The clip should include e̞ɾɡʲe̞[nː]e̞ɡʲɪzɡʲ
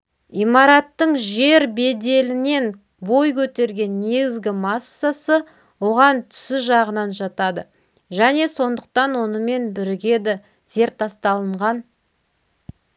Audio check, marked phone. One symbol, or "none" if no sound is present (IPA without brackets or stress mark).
nː